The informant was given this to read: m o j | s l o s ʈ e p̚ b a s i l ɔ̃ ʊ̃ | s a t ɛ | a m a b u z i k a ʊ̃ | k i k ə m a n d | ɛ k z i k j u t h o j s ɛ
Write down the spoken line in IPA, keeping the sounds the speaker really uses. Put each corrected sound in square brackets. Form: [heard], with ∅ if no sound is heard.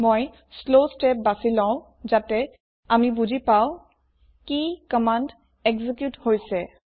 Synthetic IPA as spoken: m o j | s l o s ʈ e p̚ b a s i l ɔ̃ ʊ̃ | [z] a t ɛ | a m [i] b u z i [p] a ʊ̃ | k i k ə m a n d | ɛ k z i k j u t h o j s ɛ